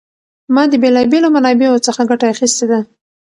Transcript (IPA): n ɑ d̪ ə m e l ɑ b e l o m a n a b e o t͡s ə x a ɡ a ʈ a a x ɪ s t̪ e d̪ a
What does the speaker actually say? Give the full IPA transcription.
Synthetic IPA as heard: m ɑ d̪ ə b e l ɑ b e l o m a n ɑ b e o t͡s ə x a ɡ a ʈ a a x i s t̪ e d̪ a